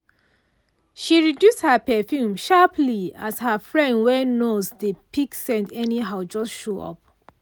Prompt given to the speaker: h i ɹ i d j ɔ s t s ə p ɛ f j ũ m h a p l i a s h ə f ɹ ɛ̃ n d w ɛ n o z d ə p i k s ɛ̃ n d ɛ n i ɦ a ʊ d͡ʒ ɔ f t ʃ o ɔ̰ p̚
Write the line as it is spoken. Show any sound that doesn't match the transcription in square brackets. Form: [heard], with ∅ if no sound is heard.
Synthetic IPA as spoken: [ʃ] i ɹ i d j [u] s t [h] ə p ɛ f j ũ m [ʃ] a p l i a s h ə f ɹ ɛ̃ n d w ɛ n o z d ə p i k s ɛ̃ n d ɛ n i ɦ a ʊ d͡ʒ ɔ [s] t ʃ o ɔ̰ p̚